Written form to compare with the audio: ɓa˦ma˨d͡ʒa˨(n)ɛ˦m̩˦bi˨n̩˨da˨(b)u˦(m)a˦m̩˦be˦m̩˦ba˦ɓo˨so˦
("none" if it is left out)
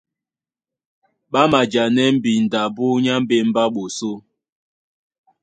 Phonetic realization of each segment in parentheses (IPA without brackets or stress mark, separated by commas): n, b, ɲ